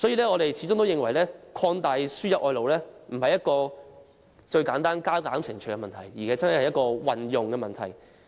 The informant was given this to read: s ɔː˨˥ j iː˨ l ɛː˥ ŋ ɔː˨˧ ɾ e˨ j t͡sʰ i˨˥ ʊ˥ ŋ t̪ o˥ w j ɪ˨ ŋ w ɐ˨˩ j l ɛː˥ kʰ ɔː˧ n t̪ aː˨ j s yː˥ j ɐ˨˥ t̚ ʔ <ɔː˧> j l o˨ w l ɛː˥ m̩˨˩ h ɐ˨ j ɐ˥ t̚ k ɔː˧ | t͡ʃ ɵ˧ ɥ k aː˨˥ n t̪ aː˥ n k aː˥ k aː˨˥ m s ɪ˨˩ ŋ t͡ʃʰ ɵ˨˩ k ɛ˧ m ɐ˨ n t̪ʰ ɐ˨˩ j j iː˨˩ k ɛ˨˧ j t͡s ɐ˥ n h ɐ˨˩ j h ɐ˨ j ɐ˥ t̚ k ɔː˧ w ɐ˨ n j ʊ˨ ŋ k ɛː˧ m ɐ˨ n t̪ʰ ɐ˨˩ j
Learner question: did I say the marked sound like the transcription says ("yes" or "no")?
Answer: yes